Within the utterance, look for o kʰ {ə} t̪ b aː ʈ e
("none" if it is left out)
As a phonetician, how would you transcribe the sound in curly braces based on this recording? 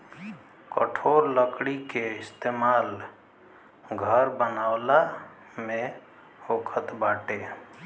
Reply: ə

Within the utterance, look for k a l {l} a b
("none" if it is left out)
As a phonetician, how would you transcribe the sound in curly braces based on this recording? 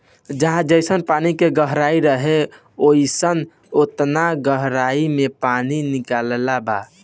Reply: l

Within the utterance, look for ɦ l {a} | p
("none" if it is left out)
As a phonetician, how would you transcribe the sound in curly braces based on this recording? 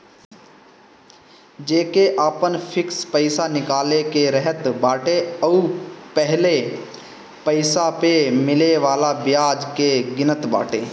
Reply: e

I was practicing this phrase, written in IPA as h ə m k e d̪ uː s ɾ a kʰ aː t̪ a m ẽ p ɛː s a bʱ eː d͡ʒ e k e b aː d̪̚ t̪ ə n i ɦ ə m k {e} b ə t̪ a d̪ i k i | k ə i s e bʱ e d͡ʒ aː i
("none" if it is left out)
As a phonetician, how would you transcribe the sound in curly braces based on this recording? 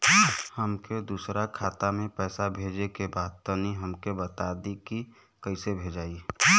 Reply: e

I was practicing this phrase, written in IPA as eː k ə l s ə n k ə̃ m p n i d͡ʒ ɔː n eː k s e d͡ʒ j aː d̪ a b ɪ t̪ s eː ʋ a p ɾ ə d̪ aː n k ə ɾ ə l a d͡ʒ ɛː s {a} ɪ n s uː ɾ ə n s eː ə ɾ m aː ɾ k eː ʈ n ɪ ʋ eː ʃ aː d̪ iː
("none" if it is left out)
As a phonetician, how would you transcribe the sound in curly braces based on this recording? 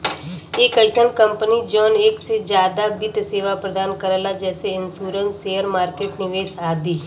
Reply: e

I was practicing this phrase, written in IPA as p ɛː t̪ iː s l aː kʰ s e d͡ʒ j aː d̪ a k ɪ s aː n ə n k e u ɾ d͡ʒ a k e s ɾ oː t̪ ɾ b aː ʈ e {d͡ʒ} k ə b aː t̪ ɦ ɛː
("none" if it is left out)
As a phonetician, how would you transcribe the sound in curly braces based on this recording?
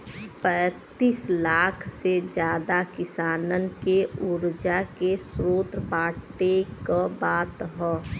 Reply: none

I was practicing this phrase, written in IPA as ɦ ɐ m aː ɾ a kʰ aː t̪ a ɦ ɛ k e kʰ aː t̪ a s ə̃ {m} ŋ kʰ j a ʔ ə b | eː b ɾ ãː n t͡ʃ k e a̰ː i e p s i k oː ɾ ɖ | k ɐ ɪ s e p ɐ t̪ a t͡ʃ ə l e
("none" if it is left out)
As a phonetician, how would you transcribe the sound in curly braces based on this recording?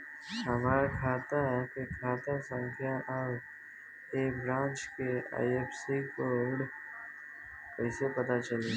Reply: none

